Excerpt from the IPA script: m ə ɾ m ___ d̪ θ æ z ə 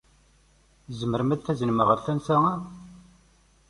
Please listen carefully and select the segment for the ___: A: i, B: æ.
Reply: B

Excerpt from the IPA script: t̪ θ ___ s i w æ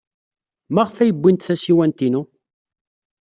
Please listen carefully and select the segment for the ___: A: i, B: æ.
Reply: B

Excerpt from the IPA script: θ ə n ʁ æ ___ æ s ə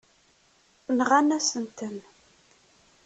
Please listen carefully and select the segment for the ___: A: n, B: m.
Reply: A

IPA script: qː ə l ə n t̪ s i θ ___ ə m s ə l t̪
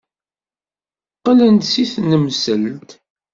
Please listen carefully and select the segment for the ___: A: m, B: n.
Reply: B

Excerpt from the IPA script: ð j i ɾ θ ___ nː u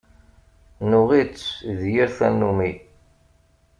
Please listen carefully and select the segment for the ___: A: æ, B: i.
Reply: A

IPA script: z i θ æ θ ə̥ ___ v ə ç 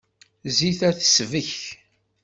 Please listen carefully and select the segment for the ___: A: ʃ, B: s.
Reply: B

